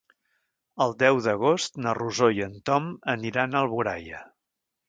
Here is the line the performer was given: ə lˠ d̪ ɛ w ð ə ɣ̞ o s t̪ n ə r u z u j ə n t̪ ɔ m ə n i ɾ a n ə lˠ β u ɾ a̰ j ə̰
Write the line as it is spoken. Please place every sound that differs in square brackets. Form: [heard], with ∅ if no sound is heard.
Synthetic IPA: ə lˠ d̪ ɛ w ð ə ɣ̞ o s t̪ n ə r u z [o] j ə n t̪ ɔ m ə n i ɾ a n ə lˠ β u ɾ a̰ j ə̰